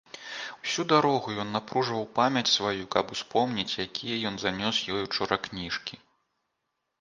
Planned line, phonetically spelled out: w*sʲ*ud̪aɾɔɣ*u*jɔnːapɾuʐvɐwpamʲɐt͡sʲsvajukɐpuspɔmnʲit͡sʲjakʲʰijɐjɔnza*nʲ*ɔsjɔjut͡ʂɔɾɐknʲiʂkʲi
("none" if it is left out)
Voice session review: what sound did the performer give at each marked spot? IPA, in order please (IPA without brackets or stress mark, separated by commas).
sʲ, u, nʲ